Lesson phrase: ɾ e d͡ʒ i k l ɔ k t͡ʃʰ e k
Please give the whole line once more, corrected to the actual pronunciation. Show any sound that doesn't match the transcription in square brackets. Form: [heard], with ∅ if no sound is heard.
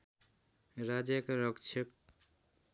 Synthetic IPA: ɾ [a] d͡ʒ [e] k [ɾ] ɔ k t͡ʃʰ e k